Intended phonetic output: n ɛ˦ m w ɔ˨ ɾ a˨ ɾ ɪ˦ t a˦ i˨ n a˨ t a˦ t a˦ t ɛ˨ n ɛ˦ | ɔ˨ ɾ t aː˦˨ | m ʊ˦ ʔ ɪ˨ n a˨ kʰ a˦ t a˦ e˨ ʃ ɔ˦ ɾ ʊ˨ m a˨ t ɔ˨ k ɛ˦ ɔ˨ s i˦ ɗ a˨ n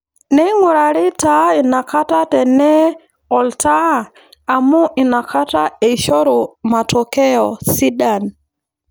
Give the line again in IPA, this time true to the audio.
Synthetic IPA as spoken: n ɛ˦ ŋ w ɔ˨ ɾ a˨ ɾ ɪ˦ t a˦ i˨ n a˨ k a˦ t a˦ t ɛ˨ n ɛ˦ | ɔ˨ l t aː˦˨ | m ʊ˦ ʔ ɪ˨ n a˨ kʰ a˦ t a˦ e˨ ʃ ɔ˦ ɾ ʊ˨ m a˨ t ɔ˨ k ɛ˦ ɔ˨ s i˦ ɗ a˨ n